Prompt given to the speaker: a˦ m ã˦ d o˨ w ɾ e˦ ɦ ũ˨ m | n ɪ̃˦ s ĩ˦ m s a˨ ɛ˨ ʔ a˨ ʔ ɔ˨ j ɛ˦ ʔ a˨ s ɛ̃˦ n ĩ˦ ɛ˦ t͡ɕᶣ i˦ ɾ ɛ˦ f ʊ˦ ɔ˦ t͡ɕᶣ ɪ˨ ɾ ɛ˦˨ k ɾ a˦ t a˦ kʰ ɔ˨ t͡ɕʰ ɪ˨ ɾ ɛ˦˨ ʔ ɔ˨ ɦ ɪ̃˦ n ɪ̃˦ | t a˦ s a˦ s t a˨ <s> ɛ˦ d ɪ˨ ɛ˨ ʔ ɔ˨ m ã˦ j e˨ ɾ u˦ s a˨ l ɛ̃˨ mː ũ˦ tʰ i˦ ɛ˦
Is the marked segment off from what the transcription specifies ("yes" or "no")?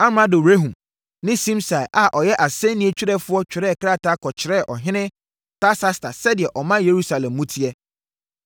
no